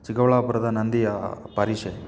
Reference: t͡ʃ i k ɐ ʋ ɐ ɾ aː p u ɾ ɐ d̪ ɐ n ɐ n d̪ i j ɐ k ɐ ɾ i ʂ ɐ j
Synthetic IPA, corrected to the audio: t͡ʃ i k ɐ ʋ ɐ ɭ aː p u ɾ ɐ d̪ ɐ n ɐ n d̪ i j ɐ p ɐ ɾ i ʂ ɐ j